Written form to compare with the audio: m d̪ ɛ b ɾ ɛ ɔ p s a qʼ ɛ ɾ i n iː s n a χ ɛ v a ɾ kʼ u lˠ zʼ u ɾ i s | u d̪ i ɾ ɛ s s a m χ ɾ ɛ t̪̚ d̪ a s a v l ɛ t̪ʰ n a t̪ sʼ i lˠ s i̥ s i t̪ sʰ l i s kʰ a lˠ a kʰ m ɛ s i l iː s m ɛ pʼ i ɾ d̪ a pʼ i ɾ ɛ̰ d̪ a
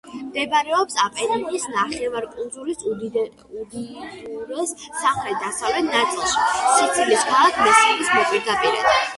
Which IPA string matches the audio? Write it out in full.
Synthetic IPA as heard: m d̪ ɛ b ɾ ɛ ɔ p s a pʼ ɛ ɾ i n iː s n a χ ɛ v a ɾ kʼ u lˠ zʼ u ɾ i s | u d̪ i ɾ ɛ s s a m χ ɾ ɛ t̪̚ d̪ a s a v l ɛ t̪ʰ n a t̪ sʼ i lˠ ʃ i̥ s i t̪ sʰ l i s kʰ a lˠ a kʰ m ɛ s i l i s m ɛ pʼ i ɾ d̪ a pʼ i ɾ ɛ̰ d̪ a